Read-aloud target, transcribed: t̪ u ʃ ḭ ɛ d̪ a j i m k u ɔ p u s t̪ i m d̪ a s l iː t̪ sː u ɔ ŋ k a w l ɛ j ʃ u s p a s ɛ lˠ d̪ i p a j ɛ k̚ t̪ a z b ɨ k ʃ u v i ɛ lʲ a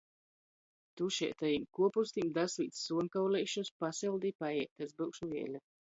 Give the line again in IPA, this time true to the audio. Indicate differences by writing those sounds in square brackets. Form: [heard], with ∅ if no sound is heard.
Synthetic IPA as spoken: t̪ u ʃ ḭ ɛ [t̪] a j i m k u ɔ p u s t̪ i m d̪ a s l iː t̪ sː u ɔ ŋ k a w l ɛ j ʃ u s p a s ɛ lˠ d̪ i p a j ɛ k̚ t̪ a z b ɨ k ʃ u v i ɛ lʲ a